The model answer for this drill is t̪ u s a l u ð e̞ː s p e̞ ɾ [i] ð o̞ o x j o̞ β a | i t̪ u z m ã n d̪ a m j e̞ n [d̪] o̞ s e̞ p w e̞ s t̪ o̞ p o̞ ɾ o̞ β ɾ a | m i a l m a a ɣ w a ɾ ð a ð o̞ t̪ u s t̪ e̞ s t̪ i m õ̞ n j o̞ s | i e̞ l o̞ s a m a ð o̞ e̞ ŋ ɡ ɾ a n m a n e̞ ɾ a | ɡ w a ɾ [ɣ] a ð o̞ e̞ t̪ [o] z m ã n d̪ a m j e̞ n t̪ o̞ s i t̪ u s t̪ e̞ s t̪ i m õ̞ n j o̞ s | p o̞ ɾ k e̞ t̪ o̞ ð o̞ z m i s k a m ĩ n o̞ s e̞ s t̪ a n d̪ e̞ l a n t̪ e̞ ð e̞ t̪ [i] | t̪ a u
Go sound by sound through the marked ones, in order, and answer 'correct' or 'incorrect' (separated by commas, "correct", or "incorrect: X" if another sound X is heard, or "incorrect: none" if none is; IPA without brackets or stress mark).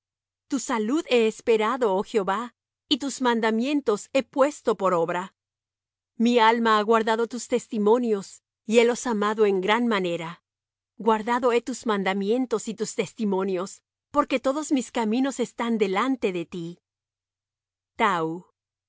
incorrect: a, incorrect: t̪, incorrect: ð, incorrect: u, correct